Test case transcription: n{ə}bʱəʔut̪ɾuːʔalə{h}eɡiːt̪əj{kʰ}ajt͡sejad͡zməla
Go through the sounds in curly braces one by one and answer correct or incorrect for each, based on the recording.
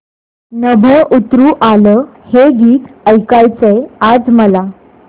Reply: correct, correct, incorrect

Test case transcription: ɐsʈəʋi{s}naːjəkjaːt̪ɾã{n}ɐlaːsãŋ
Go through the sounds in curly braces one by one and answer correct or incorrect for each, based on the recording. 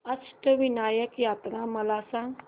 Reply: incorrect, incorrect

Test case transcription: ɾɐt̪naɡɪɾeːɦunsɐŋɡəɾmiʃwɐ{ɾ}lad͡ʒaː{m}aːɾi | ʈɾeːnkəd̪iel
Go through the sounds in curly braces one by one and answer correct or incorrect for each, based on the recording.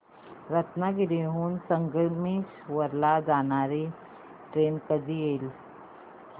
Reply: correct, incorrect

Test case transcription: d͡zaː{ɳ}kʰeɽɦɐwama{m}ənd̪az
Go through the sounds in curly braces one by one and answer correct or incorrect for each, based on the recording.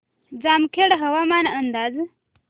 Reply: incorrect, incorrect

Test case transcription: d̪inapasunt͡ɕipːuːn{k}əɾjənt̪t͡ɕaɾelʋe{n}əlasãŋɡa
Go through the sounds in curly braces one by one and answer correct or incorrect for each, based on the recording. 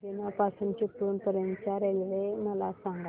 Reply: incorrect, incorrect

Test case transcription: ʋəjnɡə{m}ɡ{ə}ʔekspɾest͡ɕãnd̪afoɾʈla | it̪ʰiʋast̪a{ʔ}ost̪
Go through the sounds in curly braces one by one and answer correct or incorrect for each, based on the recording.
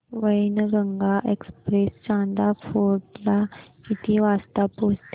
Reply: incorrect, incorrect, incorrect

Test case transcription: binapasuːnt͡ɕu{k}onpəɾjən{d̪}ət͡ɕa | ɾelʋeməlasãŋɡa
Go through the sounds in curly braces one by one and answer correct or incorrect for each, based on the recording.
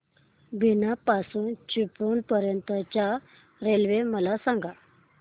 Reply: incorrect, incorrect

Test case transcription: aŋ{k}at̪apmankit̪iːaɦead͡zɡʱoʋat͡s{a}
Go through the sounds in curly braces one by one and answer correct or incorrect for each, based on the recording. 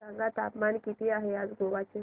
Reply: incorrect, incorrect

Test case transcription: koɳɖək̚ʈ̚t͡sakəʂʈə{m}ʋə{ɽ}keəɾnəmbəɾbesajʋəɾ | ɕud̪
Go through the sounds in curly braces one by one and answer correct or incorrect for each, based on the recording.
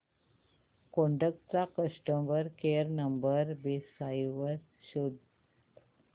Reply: correct, incorrect

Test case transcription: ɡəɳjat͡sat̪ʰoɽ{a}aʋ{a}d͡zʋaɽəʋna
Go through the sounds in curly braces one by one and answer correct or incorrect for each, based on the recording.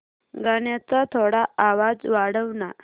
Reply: correct, correct

